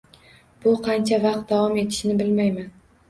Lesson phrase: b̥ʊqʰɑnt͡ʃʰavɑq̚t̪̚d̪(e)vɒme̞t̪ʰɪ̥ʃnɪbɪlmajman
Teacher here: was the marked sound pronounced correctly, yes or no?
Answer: no